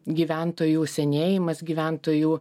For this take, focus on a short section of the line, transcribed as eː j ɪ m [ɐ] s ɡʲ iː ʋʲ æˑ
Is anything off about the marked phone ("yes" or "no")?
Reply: no